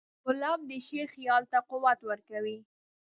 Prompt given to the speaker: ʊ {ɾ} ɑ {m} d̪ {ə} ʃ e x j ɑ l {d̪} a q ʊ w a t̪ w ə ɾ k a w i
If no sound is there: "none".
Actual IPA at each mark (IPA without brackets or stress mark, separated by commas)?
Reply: l, m, ə, t̪